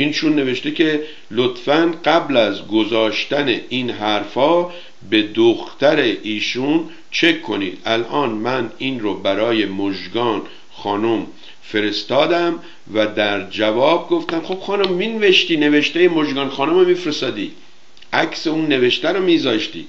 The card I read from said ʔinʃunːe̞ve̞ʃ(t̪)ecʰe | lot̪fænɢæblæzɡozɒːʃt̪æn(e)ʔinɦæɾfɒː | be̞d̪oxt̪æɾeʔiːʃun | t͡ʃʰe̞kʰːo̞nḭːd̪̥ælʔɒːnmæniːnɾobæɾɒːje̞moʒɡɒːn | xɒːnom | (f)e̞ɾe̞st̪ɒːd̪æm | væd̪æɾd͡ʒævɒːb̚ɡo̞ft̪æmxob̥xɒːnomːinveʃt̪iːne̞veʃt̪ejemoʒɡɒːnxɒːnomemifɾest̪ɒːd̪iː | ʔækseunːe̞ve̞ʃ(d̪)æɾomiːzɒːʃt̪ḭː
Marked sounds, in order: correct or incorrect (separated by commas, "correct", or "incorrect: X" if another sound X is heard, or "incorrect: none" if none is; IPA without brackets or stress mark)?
correct, correct, correct, incorrect: t̪